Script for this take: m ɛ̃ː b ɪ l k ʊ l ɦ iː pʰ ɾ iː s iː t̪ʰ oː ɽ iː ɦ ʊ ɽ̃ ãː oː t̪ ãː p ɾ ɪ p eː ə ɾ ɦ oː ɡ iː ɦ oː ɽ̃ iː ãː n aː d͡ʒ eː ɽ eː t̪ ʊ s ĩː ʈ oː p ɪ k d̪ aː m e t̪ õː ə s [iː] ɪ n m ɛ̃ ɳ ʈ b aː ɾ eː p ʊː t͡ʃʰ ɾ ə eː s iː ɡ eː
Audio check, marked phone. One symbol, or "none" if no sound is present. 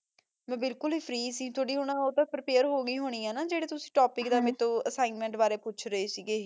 aː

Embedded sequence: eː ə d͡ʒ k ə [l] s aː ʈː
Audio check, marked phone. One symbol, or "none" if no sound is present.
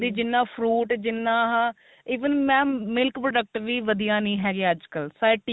l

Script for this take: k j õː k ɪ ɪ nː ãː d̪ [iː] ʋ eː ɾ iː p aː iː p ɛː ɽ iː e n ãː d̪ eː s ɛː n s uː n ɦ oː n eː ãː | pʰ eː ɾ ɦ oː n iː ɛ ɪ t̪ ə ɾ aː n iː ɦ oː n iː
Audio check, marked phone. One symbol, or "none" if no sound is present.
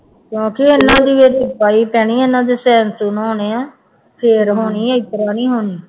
iː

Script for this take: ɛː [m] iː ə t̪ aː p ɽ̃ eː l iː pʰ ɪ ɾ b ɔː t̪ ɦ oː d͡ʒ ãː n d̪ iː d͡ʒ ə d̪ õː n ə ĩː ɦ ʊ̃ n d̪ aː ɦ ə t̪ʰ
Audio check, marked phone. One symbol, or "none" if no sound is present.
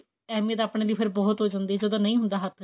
m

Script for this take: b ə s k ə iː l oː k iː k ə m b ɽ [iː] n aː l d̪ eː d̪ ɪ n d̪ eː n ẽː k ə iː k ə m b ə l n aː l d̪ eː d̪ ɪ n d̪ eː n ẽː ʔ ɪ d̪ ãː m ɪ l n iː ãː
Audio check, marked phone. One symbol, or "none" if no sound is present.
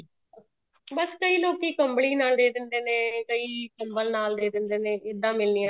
iː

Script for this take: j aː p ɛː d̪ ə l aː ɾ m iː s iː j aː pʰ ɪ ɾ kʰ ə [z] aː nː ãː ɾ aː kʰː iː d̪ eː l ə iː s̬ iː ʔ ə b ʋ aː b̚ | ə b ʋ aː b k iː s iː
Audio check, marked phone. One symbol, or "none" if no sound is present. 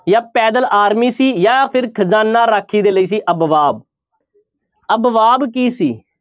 z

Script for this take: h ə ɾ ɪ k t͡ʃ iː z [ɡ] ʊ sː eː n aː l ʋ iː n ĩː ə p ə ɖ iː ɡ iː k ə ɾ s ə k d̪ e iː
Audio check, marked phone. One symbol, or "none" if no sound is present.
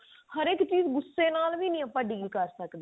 ɡ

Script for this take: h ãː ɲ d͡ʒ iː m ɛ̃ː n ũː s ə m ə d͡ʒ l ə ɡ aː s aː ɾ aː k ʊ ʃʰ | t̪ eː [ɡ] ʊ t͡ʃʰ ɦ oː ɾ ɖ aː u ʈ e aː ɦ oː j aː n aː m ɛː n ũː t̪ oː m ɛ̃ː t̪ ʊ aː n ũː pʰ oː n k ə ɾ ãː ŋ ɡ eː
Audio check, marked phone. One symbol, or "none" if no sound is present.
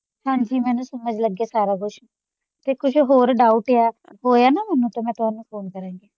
k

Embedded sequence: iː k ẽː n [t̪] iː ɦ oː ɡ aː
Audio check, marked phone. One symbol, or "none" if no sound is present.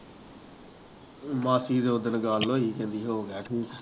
d̪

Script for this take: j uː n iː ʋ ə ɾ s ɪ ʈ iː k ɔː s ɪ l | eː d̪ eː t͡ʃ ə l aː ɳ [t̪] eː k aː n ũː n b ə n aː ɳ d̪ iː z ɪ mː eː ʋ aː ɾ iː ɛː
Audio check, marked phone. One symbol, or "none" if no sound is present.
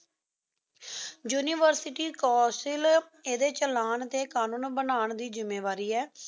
t̪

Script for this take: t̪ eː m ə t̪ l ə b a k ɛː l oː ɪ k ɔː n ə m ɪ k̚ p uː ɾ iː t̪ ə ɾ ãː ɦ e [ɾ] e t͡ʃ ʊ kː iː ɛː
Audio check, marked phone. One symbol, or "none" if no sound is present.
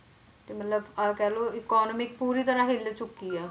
l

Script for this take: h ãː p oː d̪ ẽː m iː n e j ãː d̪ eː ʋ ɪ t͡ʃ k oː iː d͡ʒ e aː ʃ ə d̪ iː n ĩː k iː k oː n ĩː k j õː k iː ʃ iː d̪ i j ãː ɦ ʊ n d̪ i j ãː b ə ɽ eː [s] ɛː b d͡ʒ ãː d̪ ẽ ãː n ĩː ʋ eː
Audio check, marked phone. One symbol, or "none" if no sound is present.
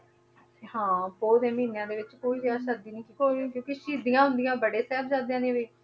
s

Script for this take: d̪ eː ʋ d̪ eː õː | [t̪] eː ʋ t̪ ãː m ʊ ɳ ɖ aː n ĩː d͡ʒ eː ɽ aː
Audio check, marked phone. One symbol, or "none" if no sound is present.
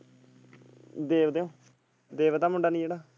d̪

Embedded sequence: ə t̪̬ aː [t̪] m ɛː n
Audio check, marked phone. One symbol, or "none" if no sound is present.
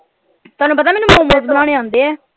none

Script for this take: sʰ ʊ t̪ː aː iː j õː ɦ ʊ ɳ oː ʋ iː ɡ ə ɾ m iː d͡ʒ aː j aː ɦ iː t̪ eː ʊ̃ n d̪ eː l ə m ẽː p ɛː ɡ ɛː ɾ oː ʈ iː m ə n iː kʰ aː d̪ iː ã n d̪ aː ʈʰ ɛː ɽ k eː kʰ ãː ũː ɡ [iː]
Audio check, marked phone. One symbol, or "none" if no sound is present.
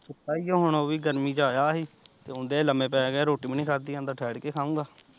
aː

